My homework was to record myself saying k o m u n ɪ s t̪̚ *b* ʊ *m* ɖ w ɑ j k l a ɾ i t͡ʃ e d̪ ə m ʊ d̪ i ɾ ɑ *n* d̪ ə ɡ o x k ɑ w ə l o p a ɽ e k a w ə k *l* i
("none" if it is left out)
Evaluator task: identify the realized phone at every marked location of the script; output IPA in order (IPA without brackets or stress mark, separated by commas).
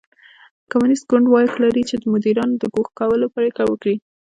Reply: ɡ, ɳ, n, ɽ